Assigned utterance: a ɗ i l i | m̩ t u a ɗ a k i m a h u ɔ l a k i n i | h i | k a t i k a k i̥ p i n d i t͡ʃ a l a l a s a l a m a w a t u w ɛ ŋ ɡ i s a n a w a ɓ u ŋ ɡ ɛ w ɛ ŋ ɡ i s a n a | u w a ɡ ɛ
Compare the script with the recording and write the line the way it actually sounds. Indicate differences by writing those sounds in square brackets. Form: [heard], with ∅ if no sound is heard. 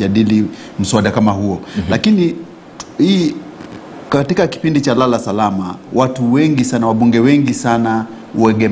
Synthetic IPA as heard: a ɗ i l i | m̩ [s] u a ɗ a k [a] m a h u ɔ l a k i n i | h i | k a t i k a k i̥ p i n d i t͡ʃ a l a l a s a l a m a w a t u w ɛ ŋ ɡ i s a n a w a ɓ u ŋ ɡ ɛ w ɛ ŋ ɡ i s a n a | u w [ɛ] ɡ ɛ